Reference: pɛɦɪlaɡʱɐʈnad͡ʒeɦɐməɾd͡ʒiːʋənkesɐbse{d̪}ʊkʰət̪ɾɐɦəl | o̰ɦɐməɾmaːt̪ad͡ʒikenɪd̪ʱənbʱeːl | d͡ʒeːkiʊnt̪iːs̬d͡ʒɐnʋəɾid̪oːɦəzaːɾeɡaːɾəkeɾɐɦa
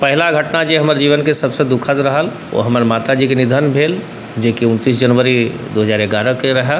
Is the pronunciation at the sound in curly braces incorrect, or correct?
correct